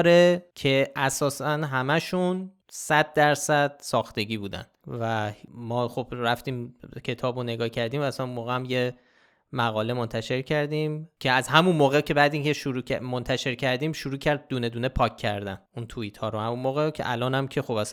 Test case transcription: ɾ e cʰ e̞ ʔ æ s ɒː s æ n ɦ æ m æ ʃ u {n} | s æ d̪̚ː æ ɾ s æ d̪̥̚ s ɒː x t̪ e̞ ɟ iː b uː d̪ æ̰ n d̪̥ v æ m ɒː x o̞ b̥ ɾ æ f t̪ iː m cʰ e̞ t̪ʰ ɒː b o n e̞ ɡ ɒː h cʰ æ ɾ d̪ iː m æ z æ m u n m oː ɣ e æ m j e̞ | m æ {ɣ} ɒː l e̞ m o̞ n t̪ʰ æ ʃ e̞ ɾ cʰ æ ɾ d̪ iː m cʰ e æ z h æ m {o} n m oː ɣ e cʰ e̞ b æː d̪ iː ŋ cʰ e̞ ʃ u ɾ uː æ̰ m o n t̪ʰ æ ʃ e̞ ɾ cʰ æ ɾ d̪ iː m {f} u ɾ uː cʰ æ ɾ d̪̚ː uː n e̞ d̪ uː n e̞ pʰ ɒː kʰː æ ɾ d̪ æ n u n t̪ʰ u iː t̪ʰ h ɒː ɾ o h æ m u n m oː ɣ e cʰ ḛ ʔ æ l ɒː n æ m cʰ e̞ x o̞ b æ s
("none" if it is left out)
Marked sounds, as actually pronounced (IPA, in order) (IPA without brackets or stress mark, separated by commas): n, ɣ, u, ʃ